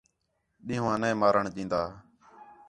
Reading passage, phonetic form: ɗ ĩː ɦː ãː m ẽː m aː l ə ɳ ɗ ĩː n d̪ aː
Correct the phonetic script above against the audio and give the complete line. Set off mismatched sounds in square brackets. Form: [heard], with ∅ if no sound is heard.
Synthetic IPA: ɗ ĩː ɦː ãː [n] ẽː m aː [ɾ] ə ɳ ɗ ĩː n d̪ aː